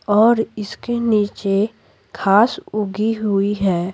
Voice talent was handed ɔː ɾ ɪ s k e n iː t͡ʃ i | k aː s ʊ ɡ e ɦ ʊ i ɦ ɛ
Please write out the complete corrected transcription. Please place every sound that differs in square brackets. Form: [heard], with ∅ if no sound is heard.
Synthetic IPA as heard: ɔː ɾ ɪ s k e n iː t͡ʃ [e] | [kʰ] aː s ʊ ɡ [i] ɦ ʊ i ɦ [ɛː]